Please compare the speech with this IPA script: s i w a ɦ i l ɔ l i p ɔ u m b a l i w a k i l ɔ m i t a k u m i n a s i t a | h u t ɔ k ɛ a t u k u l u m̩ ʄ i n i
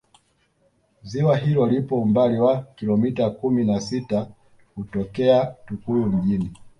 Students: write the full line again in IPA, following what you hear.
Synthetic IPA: z i w a ɦ i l ɔ l i p ɔ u m b a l i w a k i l ɔ m i t a k u m i n a s i t a | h u t ɔ k ɛ a t u k u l u m̩ ʄ i n i